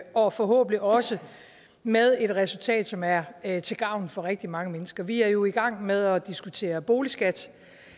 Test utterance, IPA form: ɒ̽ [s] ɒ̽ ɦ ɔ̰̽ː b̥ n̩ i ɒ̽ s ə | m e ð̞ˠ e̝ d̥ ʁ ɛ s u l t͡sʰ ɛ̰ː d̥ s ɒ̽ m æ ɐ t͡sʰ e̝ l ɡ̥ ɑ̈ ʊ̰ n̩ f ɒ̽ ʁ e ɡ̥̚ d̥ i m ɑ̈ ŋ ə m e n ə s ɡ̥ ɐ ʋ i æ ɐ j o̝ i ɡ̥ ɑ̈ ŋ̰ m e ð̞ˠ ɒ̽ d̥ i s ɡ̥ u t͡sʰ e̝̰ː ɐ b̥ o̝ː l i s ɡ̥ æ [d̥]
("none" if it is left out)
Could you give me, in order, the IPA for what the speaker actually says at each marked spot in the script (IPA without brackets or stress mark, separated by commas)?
f, d̥